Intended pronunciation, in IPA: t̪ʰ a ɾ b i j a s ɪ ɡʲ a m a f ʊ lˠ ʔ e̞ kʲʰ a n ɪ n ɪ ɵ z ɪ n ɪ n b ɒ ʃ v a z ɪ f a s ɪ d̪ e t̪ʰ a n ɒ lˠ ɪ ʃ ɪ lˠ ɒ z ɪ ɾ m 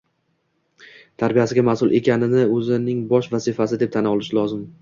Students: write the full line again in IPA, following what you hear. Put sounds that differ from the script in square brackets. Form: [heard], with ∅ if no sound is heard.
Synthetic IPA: t̪ʰ a ɾ b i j a s ɪ ɡʲ a m a [s] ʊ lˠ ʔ e̞ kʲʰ a n ɪ n ɪ ɵ z ɪ n ɪ [ŋ] b ɒ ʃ v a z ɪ f a s ɪ d̪ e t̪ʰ a n ɒ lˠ ɪ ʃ ɪ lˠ ɒ z ɪ [∅] m